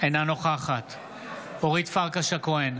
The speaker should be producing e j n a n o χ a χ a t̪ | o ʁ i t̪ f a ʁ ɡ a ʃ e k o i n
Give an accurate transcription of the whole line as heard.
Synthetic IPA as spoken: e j n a n o χ a χ a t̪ | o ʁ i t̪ f a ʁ k a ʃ a k o e n